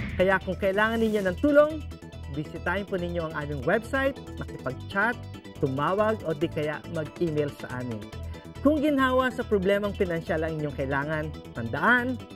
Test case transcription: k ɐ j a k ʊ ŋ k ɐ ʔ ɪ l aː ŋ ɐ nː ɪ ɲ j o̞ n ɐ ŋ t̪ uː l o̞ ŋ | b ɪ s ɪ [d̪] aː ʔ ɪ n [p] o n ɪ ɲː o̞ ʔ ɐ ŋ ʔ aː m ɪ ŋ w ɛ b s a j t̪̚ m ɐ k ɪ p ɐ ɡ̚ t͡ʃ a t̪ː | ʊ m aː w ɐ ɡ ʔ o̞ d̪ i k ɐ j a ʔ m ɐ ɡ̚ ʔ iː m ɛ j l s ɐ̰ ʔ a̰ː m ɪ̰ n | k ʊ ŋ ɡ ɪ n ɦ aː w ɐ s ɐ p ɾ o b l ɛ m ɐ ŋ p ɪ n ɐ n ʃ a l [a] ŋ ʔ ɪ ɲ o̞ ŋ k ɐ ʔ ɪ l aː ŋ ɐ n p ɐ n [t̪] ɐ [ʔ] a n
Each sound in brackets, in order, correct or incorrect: incorrect: t̪, correct, incorrect: ɐ, incorrect: d̪, correct

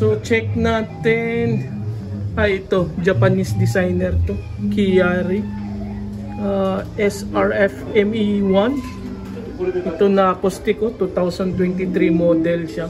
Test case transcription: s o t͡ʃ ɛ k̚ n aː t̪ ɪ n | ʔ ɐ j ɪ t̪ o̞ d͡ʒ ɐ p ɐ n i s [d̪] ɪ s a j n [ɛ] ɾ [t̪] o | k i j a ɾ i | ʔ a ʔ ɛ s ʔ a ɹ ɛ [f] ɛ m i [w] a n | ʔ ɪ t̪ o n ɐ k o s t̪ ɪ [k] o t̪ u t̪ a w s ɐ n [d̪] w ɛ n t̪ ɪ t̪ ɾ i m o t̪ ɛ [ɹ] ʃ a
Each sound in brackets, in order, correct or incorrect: correct, correct, correct, correct, correct, correct, incorrect: t̪, incorrect: l

